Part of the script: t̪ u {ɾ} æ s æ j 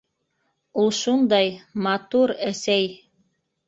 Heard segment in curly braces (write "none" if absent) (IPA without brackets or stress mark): ɾ